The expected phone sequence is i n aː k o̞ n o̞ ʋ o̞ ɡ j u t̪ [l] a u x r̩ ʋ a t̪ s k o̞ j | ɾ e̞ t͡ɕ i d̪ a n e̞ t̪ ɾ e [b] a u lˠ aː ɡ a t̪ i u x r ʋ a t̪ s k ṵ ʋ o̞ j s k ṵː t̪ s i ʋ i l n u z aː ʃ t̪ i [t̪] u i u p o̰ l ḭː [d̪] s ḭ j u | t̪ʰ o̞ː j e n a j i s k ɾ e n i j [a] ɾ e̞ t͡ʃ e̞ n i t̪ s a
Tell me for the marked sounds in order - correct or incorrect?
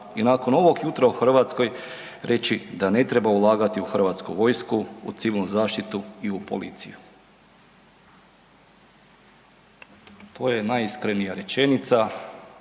incorrect: ɾ, correct, correct, incorrect: t̪, correct

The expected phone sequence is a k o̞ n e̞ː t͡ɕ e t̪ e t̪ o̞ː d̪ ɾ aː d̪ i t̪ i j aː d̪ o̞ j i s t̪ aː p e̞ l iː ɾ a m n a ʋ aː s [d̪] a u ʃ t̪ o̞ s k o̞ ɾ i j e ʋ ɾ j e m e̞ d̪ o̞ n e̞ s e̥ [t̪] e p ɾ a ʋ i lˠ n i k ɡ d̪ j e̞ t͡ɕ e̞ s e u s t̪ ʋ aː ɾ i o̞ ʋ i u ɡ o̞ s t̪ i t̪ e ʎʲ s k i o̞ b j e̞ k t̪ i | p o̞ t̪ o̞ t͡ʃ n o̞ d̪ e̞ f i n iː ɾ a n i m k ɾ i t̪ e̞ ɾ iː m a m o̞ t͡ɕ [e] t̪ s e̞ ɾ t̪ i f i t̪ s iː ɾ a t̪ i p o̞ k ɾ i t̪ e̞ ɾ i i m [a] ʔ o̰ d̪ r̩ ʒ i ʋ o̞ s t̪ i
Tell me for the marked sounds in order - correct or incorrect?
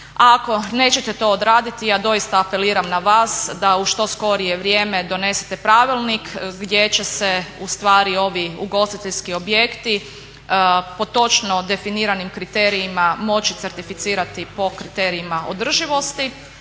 correct, correct, incorrect: i, correct

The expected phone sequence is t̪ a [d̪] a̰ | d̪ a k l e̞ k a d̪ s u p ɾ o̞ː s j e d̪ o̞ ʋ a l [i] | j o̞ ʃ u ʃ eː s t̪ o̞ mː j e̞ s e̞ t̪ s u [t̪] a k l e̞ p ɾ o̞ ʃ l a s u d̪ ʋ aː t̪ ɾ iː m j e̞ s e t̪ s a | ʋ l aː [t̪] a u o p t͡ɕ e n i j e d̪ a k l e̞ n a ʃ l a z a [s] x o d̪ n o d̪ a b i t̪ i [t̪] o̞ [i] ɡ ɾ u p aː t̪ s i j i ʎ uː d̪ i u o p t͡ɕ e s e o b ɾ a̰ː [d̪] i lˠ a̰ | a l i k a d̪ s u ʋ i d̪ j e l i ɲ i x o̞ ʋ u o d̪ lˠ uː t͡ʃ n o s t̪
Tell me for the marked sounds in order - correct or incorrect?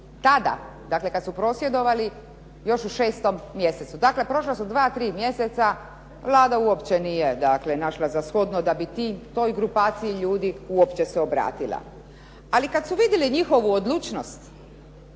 correct, correct, incorrect: d̪, incorrect: d̪, correct, correct, incorrect: j, incorrect: t̪

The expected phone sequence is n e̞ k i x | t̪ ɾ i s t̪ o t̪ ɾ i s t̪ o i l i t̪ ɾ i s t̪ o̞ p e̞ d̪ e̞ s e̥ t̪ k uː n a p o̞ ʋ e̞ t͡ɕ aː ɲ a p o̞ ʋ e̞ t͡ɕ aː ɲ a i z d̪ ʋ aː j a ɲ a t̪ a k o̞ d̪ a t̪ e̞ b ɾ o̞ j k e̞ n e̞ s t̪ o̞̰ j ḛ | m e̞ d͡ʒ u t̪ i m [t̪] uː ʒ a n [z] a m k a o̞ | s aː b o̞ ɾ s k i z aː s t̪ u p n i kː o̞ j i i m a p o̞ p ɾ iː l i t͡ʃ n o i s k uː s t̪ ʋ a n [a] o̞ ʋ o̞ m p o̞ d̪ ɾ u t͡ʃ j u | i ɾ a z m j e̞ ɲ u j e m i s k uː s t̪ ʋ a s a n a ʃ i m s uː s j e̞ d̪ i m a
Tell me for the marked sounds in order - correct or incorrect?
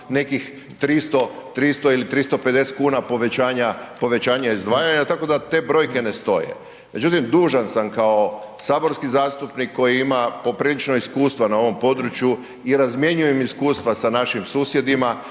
incorrect: d̪, incorrect: s, correct

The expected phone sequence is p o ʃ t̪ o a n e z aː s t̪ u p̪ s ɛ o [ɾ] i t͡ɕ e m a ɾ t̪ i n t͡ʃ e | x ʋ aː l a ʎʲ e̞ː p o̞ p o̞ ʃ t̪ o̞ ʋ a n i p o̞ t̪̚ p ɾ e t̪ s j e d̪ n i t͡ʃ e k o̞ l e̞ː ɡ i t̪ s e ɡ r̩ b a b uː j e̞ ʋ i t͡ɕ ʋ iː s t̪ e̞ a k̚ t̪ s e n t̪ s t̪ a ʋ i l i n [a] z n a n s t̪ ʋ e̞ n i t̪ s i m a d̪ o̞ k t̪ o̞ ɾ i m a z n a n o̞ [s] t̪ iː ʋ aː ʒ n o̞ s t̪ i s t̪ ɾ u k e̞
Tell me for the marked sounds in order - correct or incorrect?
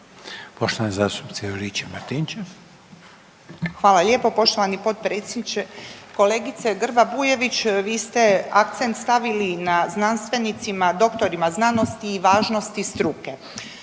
correct, correct, correct

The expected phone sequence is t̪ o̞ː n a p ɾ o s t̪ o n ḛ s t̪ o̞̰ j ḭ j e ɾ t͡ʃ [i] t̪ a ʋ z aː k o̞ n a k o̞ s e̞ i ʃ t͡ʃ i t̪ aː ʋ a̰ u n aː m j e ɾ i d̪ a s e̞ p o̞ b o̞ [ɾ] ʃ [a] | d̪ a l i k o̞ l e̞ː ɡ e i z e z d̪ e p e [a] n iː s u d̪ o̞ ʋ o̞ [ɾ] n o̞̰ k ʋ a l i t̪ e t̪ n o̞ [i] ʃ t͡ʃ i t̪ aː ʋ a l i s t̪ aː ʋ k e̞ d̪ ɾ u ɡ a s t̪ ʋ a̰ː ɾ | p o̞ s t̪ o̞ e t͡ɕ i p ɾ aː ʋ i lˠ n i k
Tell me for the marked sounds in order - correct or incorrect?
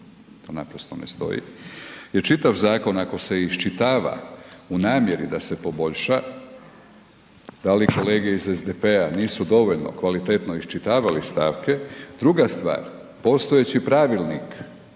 correct, incorrect: ʎ, correct, correct, incorrect: ʎ, correct

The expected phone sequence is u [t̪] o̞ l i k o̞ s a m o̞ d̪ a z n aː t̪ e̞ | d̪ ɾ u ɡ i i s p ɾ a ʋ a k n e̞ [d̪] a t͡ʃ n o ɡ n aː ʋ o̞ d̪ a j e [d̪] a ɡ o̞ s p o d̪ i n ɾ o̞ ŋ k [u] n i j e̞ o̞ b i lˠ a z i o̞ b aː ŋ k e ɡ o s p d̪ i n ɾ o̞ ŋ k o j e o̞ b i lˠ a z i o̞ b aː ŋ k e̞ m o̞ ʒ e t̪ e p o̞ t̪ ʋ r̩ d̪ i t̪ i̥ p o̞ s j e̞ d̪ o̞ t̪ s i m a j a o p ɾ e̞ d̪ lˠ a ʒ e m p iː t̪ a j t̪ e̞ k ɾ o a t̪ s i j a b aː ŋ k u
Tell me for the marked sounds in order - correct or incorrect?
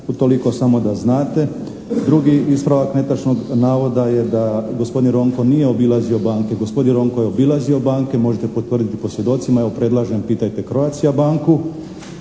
correct, incorrect: t̪, correct, incorrect: o

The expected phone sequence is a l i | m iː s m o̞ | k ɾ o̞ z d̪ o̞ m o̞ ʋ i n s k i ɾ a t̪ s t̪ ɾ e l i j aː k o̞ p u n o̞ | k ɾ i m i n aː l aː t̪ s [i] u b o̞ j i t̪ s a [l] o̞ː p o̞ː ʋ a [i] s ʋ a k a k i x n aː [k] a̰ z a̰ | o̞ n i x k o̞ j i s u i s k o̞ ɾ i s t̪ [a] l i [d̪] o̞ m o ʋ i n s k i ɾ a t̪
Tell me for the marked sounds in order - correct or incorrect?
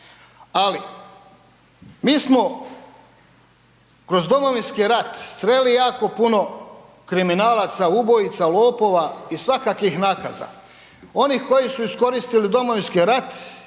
incorrect: a, correct, correct, correct, incorrect: i, correct

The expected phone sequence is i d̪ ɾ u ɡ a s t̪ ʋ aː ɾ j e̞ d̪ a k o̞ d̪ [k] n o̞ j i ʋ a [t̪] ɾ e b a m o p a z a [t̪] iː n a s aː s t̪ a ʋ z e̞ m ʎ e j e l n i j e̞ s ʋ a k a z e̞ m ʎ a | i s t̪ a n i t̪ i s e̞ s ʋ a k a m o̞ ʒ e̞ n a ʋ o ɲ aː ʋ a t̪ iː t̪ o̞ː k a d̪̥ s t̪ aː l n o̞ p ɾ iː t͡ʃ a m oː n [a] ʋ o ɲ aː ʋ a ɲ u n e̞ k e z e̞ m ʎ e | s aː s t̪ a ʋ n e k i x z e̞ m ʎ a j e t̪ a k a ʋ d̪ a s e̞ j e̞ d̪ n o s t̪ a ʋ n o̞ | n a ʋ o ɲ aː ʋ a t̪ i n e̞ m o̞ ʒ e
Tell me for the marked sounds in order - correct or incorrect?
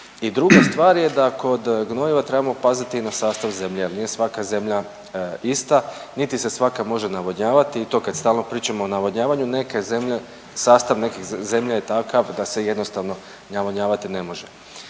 incorrect: ɡ, correct, correct, correct

